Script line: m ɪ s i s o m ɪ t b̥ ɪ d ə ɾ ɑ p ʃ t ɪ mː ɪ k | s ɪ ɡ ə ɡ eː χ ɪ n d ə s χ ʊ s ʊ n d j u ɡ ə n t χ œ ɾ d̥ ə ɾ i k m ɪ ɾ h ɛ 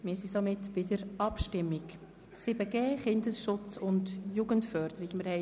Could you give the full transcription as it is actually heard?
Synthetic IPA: m ɪ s i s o m ɪ t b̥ ɪ d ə ɾ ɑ p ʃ t ɪ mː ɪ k | s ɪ b ə ɡ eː χ ɪ n d ə s ʃ ʊ t͡s ʊ n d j u ɡ ə n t f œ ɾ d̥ ə ɾ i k m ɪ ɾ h ɛ

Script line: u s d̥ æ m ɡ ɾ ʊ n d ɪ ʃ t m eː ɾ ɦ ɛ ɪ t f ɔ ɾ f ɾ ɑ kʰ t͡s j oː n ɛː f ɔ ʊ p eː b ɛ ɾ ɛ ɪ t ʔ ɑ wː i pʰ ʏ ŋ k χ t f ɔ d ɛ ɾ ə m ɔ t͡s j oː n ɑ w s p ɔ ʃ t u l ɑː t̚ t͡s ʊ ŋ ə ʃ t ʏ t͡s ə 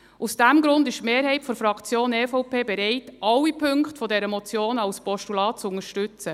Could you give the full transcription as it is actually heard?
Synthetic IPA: u s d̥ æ m ɡ ɾ ʊ n d ɪ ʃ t m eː ɾ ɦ ɛ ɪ t f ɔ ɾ f ɾ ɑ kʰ t͡s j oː n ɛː f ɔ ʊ p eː b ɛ ɾ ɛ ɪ t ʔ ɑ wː i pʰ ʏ ŋ k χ t f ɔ d ɛ ɾ ə m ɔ t͡s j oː n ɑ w s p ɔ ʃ t u l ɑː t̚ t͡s ʊ ŋ ə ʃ t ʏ t͡s ə

